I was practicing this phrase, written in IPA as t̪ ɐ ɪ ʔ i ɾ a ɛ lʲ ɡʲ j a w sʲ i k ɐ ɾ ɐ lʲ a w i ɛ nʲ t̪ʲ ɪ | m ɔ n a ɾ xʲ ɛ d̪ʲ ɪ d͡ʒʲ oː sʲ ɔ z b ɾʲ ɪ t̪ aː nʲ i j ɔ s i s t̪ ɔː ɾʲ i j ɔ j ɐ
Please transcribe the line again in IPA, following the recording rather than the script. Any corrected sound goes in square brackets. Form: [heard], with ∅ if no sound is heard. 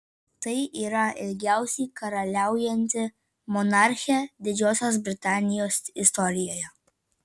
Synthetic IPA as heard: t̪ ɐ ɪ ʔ i ɾ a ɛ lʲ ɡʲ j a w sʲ i k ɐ ɾ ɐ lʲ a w [j] ɛ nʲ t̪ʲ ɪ | m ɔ n a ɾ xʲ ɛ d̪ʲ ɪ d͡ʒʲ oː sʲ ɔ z b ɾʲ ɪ t̪ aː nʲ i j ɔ s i s t̪ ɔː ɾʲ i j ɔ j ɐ